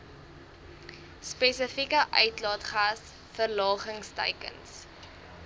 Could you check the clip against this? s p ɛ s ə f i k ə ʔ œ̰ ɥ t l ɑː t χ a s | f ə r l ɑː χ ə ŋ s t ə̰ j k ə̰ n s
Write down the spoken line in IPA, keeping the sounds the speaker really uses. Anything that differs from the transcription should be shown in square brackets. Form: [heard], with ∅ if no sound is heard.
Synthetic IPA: s p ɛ s ə f i k ə ʔ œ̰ ɥ t l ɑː t χ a s | f ə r l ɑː χ ə ŋ s t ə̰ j k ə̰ n s